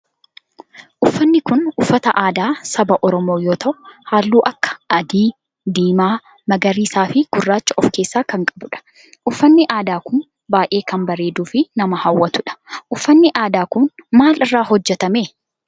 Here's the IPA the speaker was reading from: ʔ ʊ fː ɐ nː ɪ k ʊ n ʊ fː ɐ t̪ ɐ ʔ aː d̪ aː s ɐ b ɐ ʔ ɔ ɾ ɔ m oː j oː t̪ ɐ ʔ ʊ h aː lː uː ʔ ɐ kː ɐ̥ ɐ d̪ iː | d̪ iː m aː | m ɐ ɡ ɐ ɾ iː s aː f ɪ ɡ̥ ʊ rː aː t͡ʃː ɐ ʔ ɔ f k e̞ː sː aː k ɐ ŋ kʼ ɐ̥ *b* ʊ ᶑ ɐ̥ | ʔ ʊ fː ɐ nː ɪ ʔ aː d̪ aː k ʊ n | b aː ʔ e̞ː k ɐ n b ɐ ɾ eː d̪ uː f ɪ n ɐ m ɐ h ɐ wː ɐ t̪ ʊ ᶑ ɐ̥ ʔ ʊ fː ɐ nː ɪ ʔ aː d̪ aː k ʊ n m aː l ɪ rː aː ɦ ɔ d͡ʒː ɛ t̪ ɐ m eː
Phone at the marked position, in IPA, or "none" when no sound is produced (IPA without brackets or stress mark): b